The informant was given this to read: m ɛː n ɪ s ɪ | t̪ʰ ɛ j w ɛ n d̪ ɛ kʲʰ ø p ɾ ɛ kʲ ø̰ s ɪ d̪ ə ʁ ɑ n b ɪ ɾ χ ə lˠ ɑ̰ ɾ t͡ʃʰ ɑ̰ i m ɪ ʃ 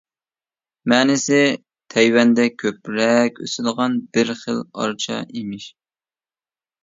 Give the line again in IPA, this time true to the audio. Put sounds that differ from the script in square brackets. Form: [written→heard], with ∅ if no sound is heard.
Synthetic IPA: m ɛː n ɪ s ɪ | t̪ʰ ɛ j w ɛ n d̪ ɛ kʲʰ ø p ɾ ɛ kʲ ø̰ s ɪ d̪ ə ʁ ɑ n b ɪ ɾ χ ə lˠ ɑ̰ ɾ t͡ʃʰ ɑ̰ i m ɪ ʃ

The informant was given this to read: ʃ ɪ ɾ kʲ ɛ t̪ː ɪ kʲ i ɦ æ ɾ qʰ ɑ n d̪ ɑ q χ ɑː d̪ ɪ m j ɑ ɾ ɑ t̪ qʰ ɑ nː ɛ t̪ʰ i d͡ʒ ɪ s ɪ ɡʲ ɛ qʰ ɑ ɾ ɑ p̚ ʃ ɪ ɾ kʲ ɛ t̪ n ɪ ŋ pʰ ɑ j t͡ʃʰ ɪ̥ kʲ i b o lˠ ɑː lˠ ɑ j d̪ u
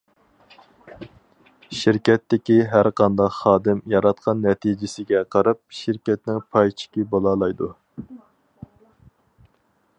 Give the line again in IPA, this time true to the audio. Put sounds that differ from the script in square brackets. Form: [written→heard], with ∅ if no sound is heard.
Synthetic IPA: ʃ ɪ ɾ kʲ ɛ t̪ː ɪ kʲ i ɦ æ ɾ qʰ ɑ n d̪ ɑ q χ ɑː d̪ ɪ m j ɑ ɾ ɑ t̪ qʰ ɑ nː ɛ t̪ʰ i d͡ʒ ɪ s ɪ ɡʲ ɛ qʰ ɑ ɾ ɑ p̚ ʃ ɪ ɾ kʲ ɛ t̪ n ɪ ŋ pʰ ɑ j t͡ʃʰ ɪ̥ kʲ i b o lˠ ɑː lˠ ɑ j d̪ u

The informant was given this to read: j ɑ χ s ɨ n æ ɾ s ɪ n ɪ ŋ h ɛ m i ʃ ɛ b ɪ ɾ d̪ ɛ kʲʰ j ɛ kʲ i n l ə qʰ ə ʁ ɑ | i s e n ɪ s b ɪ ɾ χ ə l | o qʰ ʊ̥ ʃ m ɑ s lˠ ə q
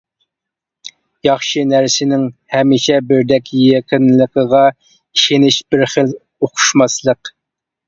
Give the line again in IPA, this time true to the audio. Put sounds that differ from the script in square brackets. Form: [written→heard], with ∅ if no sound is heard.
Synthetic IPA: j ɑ χ [s→ʃ] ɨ n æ ɾ s ɪ n ɪ ŋ h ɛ m i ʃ ɛ b ɪ ɾ d̪ ɛ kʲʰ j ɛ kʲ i n l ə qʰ ə ʁ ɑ | i [s→ʃ] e n ɪ [s→ʃ] b ɪ ɾ χ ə l | o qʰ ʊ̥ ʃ m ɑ s lˠ ə q

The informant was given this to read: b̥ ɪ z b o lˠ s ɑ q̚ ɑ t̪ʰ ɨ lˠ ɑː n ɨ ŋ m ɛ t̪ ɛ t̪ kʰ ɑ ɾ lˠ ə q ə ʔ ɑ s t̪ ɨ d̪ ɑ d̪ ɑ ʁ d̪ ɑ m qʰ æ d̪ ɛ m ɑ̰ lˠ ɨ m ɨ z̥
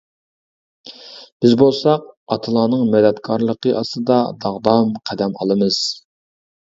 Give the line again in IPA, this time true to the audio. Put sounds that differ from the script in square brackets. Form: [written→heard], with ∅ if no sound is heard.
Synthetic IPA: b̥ ɪ z b o lˠ s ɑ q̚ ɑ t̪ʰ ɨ lˠ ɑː n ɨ ŋ m ɛ [t̪→d̪] ɛ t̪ kʰ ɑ ɾ lˠ ə q ə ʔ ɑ s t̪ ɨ d̪ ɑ d̪ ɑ ʁ d̪ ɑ m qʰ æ d̪ ɛ m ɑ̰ lˠ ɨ m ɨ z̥

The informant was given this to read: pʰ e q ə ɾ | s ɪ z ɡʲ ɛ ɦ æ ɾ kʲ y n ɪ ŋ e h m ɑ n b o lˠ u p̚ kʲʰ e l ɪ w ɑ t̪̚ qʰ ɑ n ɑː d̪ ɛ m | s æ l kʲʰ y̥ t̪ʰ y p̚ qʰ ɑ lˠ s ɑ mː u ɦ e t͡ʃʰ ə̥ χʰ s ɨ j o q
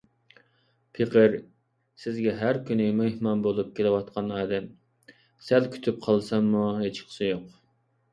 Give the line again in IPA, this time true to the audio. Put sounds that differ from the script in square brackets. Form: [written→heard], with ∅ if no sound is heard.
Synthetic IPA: pʰ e q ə ɾ | s ɪ z ɡʲ ɛ ɦ æ ɾ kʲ y n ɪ [ŋ→m] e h m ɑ n b o lˠ u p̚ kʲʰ e l ɪ w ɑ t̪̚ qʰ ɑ n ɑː d̪ ɛ m | s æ l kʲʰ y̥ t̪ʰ y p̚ qʰ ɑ lˠ s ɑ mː u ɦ e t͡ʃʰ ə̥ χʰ s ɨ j o q

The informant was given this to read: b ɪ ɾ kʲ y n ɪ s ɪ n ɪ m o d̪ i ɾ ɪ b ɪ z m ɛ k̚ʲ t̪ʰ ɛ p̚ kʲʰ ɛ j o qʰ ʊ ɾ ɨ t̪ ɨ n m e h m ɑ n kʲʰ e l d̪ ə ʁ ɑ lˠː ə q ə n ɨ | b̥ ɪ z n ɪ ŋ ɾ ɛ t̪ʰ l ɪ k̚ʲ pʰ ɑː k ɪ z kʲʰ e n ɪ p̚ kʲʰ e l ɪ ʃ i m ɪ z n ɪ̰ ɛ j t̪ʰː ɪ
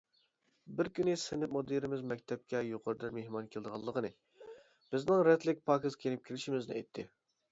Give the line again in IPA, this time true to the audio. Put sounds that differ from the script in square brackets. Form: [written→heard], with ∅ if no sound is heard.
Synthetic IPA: b ɪ ɾ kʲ y n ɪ s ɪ n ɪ m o d̪ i ɾ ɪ [b→m] ɪ z m ɛ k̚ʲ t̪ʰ ɛ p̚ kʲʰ ɛ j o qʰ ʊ ɾ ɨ [t̪→d̪] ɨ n m e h m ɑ n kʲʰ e l d̪ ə ʁ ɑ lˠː ə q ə n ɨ | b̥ ɪ z n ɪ ŋ ɾ ɛ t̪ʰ l ɪ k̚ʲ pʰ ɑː k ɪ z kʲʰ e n ɪ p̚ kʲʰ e l ɪ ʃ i m ɪ z n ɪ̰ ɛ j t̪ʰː ɪ

